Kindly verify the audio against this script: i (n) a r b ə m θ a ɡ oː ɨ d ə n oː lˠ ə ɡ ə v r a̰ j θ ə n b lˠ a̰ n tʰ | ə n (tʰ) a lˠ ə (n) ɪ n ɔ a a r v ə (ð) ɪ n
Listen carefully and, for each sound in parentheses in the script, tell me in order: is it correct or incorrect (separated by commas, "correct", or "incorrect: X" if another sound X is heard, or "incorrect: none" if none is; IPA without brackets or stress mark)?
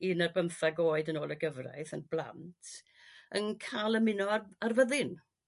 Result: correct, incorrect: kʰ, incorrect: m, correct